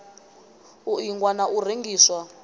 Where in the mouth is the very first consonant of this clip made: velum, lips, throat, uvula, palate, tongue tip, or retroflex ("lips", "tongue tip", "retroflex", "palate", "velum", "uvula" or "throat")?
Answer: velum